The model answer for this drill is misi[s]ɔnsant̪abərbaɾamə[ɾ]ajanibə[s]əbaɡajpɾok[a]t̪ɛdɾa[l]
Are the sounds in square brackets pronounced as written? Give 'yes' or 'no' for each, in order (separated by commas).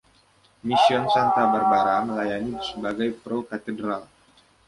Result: no, no, yes, yes, yes